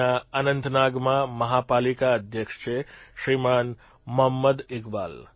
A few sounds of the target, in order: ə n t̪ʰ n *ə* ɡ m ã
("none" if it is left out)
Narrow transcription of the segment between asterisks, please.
a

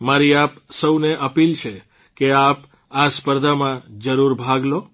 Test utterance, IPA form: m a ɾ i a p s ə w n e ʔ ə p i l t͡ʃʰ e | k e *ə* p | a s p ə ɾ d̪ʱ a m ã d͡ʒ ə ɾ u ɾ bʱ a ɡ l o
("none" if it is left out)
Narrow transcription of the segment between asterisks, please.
a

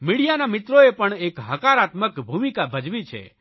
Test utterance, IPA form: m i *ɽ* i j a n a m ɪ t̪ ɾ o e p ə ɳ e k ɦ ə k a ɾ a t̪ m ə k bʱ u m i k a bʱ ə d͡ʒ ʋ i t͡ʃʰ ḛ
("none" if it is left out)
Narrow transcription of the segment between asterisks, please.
ɽ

